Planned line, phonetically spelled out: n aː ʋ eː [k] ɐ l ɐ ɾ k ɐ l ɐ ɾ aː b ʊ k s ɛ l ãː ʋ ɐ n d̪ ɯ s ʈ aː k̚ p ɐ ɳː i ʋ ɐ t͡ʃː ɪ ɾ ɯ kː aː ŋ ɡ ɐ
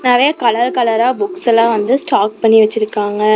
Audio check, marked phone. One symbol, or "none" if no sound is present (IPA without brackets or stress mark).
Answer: k